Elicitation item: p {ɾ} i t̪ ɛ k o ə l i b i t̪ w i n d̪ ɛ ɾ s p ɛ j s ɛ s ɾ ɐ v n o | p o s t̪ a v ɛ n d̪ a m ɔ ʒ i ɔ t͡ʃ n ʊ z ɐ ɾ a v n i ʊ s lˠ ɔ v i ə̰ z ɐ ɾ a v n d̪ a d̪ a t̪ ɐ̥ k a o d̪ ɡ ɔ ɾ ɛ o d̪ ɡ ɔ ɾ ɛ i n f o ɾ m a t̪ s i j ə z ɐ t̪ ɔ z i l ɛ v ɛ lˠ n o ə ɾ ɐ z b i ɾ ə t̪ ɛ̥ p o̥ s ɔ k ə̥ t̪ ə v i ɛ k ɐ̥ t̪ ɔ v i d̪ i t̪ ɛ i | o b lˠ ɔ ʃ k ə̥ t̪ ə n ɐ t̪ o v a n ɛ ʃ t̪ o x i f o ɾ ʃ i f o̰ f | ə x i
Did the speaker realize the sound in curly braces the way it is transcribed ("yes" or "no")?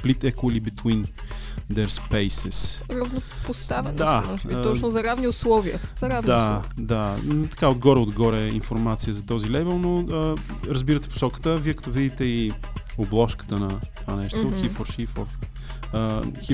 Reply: no